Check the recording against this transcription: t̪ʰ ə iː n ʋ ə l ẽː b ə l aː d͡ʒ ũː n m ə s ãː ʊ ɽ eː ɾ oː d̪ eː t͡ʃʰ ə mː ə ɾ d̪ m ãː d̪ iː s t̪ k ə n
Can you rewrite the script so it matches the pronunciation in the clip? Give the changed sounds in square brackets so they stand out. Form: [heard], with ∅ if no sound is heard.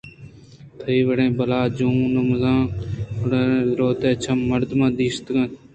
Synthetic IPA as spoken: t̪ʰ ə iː [∅] ʋ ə [ɽ] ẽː b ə l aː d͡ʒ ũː n m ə [z] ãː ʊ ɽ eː ɾ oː [t̪] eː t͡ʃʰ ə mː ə ɾ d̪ m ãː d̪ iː s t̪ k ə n